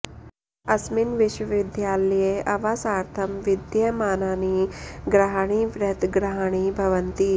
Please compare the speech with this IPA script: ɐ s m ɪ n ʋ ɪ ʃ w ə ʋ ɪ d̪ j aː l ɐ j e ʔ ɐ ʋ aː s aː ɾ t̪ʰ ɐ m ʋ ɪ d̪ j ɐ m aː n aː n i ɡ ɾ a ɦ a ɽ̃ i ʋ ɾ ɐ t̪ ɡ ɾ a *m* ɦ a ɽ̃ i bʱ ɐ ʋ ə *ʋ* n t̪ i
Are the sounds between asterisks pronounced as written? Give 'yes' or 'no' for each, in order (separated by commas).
no, no